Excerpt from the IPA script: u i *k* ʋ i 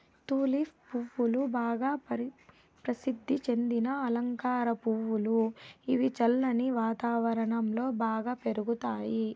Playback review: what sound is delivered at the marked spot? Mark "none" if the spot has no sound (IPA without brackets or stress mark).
none